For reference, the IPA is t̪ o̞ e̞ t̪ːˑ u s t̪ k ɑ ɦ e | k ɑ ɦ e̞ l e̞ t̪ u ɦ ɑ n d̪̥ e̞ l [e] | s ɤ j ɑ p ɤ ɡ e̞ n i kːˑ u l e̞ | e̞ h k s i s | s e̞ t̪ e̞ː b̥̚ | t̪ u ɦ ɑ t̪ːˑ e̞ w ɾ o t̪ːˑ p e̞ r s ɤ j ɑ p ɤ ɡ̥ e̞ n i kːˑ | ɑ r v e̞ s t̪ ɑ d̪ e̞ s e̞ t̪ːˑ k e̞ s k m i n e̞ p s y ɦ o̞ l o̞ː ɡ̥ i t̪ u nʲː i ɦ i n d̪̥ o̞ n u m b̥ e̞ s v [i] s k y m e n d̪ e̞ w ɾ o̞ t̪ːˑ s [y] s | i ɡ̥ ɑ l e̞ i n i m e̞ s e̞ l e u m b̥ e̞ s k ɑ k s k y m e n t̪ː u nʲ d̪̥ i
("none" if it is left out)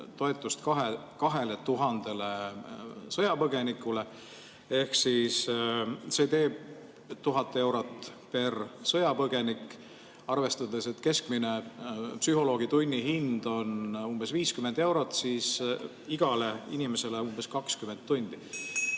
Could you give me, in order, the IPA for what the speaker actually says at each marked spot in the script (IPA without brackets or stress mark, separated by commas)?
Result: e, iː, i